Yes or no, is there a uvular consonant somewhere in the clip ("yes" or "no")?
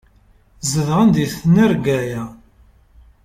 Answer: yes